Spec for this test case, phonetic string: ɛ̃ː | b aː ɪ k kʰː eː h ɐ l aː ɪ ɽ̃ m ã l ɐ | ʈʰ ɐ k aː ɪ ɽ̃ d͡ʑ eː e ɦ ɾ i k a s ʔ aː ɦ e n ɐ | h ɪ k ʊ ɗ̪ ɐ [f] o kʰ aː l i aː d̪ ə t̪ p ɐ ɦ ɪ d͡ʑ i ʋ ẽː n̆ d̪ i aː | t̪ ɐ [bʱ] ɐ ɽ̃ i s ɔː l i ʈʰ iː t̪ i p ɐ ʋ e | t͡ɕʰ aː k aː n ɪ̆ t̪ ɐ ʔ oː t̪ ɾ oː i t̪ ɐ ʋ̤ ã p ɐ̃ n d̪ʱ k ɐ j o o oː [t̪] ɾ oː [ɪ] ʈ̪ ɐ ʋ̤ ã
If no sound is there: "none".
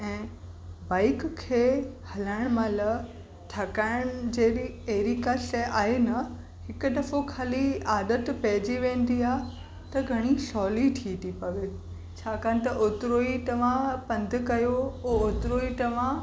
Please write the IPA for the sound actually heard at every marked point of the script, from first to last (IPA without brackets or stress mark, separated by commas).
f, ɡʱ, t̪, i